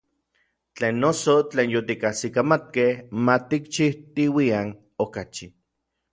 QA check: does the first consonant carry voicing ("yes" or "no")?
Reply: no